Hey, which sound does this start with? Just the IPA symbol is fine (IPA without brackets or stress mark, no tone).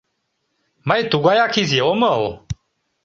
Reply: m